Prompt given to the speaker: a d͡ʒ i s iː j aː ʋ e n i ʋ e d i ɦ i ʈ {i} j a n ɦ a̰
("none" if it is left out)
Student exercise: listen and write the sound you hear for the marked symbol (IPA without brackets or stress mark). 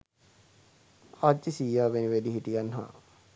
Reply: i